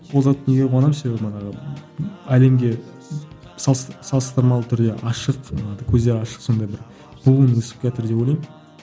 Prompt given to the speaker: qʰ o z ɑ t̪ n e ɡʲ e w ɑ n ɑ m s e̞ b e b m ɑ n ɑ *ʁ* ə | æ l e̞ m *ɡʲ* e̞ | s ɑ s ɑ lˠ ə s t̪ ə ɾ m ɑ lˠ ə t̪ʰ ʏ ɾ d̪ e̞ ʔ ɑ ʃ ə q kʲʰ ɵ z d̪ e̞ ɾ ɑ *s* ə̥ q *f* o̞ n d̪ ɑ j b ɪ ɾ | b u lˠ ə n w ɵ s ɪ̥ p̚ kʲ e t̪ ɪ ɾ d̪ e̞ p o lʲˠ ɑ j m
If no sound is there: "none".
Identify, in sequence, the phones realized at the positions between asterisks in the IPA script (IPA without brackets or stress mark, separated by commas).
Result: ʁ, ɡʲ, ʃ, s